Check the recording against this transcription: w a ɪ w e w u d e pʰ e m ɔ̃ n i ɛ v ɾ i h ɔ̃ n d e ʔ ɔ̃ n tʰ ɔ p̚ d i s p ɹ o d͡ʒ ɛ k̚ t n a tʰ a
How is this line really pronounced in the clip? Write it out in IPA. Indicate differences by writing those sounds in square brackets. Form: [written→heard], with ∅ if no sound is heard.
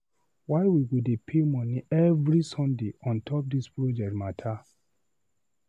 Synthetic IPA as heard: w a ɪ w [e→i] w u d e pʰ e m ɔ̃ n i ɛ v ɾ i [h→s] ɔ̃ n d e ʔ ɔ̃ n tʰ ɔ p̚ d i s p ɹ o d͡ʒ ɛ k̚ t [n→m] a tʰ a